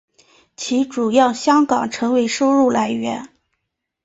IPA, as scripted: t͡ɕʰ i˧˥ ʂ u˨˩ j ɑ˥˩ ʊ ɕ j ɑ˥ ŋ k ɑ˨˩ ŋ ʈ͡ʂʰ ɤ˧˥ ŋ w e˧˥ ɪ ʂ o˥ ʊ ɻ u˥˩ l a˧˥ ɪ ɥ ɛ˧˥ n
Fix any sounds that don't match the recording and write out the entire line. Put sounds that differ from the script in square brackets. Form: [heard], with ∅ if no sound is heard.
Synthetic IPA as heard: t͡ɕʰ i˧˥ [ʈ͡ʂ] u˨˩ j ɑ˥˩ ʊ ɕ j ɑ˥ ŋ k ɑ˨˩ ŋ ʈ͡ʂʰ ɤ˧˥ ŋ w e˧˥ ɪ ʂ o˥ ʊ ɻ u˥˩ l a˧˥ ɪ ɥ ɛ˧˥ n

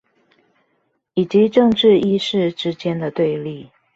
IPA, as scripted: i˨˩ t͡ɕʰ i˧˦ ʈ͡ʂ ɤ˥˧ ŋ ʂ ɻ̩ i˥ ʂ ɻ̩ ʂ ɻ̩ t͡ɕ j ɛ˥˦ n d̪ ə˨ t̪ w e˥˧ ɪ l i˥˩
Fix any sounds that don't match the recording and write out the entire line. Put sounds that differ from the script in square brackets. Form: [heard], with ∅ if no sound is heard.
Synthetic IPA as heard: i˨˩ [t͡ɕ] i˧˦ ʈ͡ʂ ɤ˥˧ ŋ [ʈ͡ʂ] ɻ̩ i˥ ʂ ɻ̩ [ʈ͡ʂ] ɻ̩ t͡ɕ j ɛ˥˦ n d̪ ə˨ t̪ w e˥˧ ɪ l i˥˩

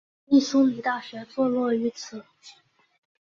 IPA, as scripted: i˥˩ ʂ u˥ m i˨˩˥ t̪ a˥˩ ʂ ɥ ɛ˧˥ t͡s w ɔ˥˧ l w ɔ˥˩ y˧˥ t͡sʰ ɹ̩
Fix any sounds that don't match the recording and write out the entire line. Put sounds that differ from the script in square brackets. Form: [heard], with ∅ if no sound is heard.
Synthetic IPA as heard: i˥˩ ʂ u˥ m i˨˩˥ t̪ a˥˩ [ɕ] ɥ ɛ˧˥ t͡s w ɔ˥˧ l w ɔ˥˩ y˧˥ t͡sʰ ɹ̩

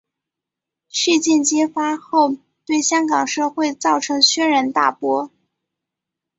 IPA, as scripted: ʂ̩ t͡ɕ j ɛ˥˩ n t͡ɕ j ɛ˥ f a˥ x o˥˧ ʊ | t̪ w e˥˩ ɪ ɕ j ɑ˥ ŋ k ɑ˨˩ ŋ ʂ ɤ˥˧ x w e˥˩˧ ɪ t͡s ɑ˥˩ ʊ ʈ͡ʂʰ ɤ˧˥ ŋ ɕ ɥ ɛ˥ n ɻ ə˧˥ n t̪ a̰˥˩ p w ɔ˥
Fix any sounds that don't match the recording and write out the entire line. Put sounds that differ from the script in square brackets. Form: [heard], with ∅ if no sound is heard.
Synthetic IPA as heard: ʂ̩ t͡ɕ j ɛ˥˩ n t͡ɕ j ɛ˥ f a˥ x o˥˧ ʊ | t̪ w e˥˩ ɪ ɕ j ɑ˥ ŋ k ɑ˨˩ ŋ ʂ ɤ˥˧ x w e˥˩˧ ɪ t͡s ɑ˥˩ ʊ ʈ͡ʂʰ ɤ˧˥ ŋ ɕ ɥ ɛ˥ n ɻ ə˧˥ n t̪ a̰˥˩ p w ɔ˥

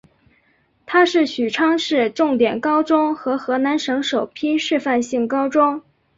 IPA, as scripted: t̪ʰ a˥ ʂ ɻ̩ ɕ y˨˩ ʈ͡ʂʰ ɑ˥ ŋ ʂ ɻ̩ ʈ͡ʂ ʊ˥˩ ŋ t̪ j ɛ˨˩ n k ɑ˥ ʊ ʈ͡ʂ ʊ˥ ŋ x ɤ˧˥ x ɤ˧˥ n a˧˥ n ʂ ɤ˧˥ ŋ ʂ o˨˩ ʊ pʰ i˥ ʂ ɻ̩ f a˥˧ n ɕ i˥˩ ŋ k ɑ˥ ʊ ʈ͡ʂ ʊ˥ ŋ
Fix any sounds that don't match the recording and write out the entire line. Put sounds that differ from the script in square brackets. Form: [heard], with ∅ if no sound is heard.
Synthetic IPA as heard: t̪ʰ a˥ ʂ ɻ̩ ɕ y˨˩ ʈ͡ʂʰ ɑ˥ ŋ ʂ ɻ̩ ʈ͡ʂ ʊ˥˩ ŋ t̪ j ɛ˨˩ n k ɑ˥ ʊ ʈ͡ʂ ʊ˥ ŋ x ɤ˧˥ x ɤ˧˥ n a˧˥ n ʂ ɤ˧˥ ŋ ʂ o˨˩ ʊ pʰ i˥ ʂ ɻ̩ f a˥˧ n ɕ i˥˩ ŋ k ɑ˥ ʊ ʈ͡ʂ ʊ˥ ŋ

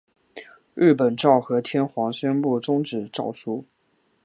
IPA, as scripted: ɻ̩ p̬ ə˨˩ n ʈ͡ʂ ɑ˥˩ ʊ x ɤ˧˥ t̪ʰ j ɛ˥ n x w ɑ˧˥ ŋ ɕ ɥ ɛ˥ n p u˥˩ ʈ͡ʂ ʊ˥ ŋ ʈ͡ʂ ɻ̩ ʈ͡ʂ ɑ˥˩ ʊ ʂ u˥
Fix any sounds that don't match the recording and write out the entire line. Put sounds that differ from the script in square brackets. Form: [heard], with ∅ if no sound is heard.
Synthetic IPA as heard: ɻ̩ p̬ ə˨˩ n ʈ͡ʂ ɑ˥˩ ʊ x ɤ˧˥ t̪ʰ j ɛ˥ n x w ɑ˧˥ ŋ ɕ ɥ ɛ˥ n p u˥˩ ʈ͡ʂ ʊ˥ ŋ ʈ͡ʂ ɻ̩ ʈ͡ʂ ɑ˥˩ ʊ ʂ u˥

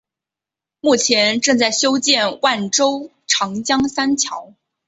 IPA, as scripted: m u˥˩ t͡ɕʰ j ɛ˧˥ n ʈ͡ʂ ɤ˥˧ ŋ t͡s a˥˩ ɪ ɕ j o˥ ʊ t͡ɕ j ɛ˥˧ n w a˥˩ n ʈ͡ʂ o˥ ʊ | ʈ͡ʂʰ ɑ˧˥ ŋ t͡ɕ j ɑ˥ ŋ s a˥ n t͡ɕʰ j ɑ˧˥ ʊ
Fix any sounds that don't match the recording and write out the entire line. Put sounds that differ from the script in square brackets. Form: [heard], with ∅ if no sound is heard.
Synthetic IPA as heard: m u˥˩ t͡ɕʰ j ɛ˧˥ n ʈ͡ʂ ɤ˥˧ ŋ t͡s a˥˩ ɪ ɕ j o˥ ʊ t͡ɕ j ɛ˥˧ n w a˥˩ n ʈ͡ʂ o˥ ʊ | ʈ͡ʂʰ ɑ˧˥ ŋ t͡ɕ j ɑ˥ ŋ s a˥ n t͡ɕʰ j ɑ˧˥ ʊ

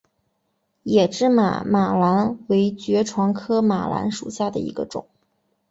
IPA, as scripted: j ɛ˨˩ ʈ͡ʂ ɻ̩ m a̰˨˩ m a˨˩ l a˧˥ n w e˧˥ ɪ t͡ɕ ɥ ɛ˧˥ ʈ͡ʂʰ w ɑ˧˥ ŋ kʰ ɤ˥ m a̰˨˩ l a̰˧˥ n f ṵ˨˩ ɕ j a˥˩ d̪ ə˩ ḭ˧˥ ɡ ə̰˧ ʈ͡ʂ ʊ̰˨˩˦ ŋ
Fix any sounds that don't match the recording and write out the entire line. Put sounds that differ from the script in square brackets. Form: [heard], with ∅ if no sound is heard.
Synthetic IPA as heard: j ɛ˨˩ ʈ͡ʂ ɻ̩ m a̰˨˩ m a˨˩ l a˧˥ n w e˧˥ ɪ t͡ɕ ɥ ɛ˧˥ ʈ͡ʂʰ w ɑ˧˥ ŋ kʰ ɤ˥ m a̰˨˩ l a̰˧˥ n [ʂ] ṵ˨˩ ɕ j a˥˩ d̪ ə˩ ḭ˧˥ ɡ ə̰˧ ʈ͡ʂ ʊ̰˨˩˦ ŋ

